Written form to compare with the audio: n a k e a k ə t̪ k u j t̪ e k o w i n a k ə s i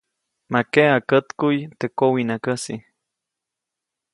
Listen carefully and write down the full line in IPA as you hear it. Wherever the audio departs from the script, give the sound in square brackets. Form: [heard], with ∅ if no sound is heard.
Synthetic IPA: [m] a k e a k ə t̪ k u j t̪ e k o w i n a k ə s i